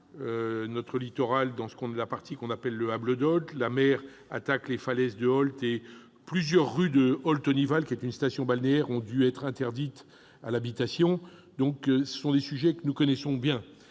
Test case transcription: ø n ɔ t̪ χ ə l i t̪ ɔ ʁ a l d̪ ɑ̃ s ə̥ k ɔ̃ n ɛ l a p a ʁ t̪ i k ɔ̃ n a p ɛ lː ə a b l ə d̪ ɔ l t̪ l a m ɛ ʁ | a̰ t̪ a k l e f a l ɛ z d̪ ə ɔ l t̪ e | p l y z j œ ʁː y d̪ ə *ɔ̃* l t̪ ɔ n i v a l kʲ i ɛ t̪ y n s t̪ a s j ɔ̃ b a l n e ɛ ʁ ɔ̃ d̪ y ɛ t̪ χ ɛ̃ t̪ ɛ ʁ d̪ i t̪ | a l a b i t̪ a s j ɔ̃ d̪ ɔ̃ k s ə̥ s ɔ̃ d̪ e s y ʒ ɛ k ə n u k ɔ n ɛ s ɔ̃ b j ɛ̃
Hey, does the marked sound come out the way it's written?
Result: no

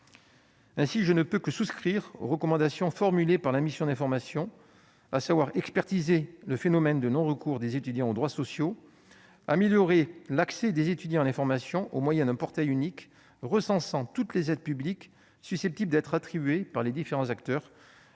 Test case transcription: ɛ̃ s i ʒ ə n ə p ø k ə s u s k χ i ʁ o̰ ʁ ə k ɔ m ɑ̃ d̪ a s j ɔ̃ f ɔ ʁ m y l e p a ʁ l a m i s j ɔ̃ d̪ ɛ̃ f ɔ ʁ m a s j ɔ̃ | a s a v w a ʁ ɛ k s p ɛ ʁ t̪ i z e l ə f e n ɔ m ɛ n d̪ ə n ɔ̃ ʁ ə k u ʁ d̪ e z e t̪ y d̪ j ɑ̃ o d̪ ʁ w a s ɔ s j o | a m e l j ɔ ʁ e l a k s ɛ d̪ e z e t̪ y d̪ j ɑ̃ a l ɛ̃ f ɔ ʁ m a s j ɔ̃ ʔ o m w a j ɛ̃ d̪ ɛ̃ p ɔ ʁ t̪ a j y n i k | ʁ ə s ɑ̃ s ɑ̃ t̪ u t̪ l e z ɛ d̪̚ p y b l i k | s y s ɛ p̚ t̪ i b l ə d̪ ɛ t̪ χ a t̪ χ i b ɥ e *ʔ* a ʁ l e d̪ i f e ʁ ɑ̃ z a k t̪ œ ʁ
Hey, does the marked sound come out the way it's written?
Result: no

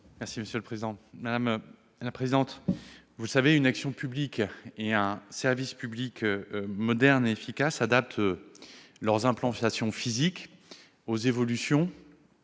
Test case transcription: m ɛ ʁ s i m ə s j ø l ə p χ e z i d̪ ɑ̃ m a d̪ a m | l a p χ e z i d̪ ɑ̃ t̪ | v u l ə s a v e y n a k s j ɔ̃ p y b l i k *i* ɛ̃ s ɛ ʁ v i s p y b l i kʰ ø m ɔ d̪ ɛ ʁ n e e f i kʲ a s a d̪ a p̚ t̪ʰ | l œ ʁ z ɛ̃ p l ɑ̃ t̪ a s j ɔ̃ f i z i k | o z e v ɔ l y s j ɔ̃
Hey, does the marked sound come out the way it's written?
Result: no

